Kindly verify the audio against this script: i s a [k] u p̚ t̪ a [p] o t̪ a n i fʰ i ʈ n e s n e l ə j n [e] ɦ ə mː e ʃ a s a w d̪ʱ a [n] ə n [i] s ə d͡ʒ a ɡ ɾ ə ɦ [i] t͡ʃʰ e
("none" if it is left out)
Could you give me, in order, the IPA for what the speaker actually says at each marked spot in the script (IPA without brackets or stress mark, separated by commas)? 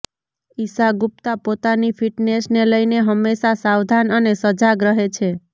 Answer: ɡ, p, e, n, e, e